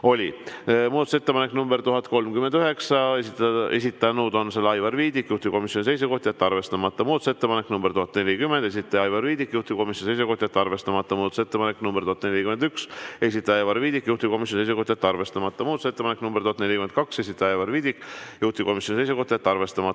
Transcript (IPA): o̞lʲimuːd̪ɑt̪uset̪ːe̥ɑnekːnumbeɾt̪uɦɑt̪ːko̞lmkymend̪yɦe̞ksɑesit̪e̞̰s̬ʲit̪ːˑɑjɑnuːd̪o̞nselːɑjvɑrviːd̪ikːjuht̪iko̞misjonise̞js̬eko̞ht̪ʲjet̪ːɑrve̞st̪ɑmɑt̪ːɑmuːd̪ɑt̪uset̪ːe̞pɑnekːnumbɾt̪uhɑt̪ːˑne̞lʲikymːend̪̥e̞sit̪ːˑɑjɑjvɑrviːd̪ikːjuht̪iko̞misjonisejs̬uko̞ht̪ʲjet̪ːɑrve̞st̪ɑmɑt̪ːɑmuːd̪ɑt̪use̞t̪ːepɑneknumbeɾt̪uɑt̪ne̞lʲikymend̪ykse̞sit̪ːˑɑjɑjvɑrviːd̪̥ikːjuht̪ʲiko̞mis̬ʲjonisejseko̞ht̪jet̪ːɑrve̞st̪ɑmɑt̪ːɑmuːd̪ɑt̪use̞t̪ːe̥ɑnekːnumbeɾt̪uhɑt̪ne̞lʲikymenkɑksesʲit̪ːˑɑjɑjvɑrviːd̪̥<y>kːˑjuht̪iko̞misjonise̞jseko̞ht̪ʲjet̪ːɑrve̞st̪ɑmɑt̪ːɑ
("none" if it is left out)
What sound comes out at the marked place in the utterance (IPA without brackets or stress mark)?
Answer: i